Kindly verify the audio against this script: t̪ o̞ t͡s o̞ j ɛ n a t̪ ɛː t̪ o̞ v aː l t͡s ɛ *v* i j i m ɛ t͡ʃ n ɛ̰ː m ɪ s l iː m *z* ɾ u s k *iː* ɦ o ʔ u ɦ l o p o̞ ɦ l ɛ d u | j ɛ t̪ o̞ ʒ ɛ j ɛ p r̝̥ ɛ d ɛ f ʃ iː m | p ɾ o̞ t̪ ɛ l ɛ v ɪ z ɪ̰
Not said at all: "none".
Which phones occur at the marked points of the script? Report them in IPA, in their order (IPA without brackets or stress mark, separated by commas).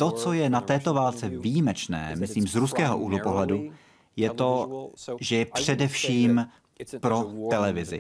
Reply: v, z, ɛː